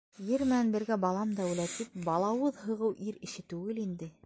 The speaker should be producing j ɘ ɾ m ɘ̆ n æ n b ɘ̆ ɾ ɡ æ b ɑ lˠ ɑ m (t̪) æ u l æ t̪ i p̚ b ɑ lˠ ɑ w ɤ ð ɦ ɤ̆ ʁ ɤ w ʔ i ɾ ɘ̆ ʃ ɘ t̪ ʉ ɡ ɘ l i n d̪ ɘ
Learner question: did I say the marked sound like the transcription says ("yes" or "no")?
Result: no